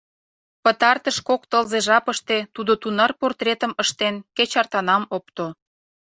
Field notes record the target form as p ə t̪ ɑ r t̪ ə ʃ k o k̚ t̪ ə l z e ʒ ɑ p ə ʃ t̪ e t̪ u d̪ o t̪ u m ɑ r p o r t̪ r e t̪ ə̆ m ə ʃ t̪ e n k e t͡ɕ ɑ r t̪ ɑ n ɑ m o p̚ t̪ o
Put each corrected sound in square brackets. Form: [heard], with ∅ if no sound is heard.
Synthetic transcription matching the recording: p ə t̪ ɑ r t̪ ə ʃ k o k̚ t̪ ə l z e ʒ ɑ p ə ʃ t̪ e t̪ u d̪ o t̪ u [n] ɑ r p o r t̪ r e t̪ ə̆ m ə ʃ t̪ e n k e t͡ɕ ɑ r t̪ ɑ n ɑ m o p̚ t̪ o